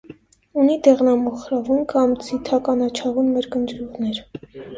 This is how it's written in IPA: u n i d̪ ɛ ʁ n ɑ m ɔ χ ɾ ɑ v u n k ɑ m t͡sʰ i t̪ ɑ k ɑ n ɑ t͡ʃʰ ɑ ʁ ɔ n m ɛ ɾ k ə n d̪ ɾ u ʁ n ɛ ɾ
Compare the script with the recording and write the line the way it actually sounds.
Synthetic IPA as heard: u n i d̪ ɛ ʁ n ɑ m ɔ χ ɾ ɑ v u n k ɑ m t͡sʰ i t̪ʰ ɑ k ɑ n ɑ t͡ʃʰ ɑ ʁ u n m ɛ ɾ k ə n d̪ ɾ u ʁ n ɛ ɾ

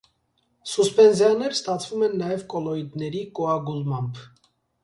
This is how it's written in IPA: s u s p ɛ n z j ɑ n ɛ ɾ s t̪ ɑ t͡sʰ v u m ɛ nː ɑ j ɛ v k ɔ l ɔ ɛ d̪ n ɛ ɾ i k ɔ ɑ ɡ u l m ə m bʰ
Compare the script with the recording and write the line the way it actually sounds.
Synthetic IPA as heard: s u s p ɛ n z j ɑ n ɛ ɾ s t̪ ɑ t͡sʰ v u m ɛ nː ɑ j ɛ v k ɔ l ɔ i d̪ n ɛ ɾ i k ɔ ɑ ɡ u l m ɑ m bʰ

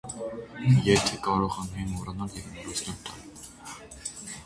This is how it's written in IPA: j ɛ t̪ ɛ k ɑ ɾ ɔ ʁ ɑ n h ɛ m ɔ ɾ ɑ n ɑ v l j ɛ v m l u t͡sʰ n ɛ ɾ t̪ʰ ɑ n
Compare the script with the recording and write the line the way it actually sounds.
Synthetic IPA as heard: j ɛ t̪ʰ ɛ k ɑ ɾ ɔ ʁ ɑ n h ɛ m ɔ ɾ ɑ n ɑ l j ɛ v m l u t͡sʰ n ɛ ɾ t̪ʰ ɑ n

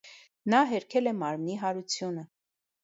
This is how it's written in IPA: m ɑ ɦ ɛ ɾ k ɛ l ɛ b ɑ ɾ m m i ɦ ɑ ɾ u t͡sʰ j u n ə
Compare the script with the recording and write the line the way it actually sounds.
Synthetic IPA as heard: n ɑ ɦ ɛ ɾ kʰ ɛ l ɛ m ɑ ɾ m n i ɦ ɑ ɾ u t͡sʰ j u n ə

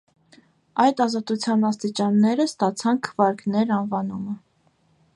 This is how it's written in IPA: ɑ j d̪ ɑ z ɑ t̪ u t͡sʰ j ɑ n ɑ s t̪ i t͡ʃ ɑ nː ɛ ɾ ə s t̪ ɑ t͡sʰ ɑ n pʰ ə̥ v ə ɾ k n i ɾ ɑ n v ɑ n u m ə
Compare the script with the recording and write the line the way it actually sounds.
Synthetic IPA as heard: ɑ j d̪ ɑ z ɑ t̪ u t͡sʰ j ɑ n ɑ s t̪ i t͡ʃ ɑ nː ɛ ɾ ə s t̪ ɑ t͡sʰ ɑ n kʰ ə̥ v ɑ ɾ k n ɛ ɾ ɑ n v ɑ n u m ə

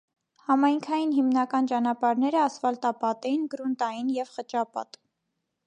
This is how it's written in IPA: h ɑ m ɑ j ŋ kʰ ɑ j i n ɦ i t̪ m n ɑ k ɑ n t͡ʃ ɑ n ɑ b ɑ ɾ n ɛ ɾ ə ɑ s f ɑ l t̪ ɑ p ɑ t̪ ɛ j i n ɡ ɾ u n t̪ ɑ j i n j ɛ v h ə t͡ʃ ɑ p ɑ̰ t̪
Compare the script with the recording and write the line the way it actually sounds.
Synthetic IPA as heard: h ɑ m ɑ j ŋ kʰ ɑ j i n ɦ i m n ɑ k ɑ n t͡ʃ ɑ n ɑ p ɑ ɾ n ɛ ɾ ə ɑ s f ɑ l t̪ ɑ p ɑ t̪ ɛ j i n ɡ ɾ u n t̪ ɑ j i n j ɛ v χ ə t͡ʃ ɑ p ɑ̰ t̪

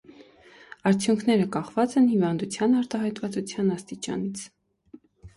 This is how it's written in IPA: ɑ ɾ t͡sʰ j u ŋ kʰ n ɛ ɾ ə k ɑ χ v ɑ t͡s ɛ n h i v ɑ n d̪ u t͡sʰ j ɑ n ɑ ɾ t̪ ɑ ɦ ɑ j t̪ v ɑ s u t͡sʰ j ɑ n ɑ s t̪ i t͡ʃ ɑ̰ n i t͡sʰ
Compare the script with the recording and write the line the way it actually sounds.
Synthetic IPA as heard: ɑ ɾ t͡sʰ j u ŋ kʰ n ɛ ɾ ə k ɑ χ v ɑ t͡s ɛ n h i v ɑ n d̪ u t͡sʰ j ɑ n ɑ ɾ t̪ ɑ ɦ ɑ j t̪ v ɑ t͡s u t͡sʰ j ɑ n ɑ s t̪ i t͡ʃ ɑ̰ n i t͡sʰ

